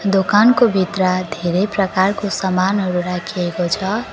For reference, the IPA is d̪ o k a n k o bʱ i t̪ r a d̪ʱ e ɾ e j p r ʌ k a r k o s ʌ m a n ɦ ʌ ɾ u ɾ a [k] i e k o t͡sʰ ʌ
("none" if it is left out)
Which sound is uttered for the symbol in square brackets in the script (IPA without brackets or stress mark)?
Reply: kʰ